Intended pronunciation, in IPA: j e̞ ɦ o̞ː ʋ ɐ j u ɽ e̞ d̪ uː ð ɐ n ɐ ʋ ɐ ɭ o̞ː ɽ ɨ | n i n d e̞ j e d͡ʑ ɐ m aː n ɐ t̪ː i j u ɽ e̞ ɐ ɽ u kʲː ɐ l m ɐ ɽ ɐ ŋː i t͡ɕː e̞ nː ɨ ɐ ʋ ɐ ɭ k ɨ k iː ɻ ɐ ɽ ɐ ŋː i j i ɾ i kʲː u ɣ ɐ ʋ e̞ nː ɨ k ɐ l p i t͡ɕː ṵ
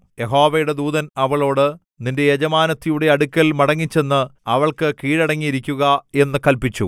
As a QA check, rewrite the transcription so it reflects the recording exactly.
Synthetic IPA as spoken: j e̞ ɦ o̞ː ʋ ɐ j u ɽ e̞ d̪ uː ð ɐ n ɐ ʋ ɐ ɭ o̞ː ɽ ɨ | n i n d e̞ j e d͡ʑ ɐ m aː n ɐ t̪ː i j u ɽ e̞ ɐ ɽ u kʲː ɐ l m ɐ ɽ ɐ ŋː i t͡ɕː e̞ nː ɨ ɐ ʋ ɐ ɭ k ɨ k iː ɻ ɐ ɽ ɐ ŋː i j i ɾ i kʲː u ɣ ɐ e̞ nː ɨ k ɐ l p i t͡ɕː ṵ